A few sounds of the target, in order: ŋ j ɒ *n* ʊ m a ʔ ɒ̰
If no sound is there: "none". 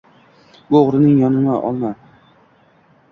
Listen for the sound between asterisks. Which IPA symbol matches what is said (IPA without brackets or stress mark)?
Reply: n